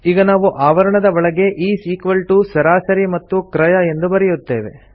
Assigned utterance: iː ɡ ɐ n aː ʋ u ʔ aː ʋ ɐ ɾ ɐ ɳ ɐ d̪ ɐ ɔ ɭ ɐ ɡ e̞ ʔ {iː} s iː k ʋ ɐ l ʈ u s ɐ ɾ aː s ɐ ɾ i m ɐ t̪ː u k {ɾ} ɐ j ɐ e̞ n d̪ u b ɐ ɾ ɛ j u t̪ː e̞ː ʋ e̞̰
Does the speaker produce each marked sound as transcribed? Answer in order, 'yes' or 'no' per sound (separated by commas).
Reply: yes, yes